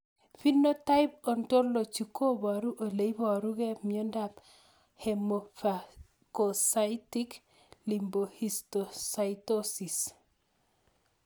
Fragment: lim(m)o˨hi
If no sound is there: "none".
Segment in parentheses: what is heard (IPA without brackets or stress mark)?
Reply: b